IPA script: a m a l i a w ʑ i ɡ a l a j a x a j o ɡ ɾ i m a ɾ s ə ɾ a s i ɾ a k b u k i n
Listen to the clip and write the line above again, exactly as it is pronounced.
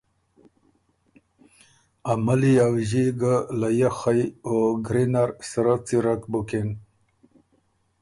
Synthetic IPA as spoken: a m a l i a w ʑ i ɡ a l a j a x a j o ɡ ɾ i n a ɾ s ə ɾ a t͡s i ɾ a k b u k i n